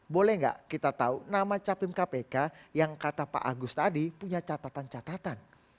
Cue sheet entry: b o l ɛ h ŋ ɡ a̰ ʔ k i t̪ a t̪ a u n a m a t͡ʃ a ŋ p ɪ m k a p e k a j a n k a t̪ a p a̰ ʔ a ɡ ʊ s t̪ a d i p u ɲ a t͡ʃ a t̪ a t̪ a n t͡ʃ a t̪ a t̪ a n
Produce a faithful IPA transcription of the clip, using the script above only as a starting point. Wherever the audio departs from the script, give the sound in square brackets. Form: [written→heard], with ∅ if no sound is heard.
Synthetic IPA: b o l ɛ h ŋ ɡ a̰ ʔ k i t̪ a t̪ a u n a m a t͡ʃ a [ŋ→∅] p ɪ m k a p e k a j a [n→ŋ] k a t̪ a p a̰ ʔ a ɡ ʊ s t̪ a d i p u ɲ a t͡ʃ a t̪ a t̪ a n t͡ʃ a t̪ a t̪ a n